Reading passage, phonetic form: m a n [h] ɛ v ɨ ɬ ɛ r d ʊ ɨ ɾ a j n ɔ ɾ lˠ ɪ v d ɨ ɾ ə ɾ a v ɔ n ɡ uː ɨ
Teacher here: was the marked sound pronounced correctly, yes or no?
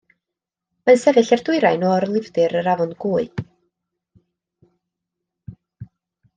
no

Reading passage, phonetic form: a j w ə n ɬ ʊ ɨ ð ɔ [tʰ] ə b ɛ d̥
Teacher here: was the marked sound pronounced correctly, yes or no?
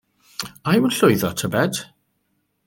yes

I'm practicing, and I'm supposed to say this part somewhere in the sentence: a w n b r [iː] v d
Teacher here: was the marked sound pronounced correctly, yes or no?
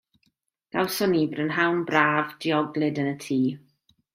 no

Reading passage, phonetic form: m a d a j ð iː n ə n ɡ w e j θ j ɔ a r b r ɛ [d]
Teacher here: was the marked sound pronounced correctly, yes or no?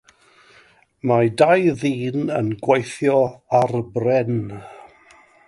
no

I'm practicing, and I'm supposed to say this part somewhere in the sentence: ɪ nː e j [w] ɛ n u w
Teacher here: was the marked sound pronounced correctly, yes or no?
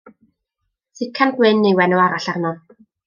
yes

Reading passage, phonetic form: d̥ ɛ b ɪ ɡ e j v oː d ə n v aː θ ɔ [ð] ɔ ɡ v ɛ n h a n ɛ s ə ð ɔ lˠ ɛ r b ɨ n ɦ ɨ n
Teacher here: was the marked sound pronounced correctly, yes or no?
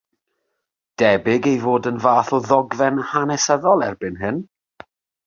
yes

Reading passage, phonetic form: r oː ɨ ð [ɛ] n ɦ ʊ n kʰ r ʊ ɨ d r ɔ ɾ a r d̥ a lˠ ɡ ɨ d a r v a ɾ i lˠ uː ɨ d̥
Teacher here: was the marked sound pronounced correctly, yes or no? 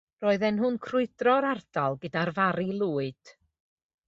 yes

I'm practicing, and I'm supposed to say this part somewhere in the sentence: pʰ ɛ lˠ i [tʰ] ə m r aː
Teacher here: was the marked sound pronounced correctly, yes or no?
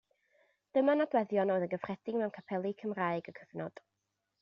no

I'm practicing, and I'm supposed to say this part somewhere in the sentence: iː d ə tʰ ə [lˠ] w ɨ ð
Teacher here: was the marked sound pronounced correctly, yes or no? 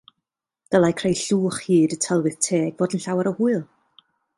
yes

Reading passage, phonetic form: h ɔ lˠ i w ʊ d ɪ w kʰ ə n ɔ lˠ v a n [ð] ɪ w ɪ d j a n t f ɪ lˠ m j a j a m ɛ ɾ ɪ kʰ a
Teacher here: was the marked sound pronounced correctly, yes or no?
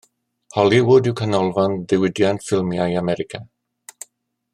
yes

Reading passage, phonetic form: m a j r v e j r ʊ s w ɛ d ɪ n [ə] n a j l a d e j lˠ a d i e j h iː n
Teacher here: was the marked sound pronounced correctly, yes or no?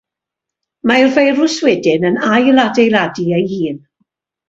yes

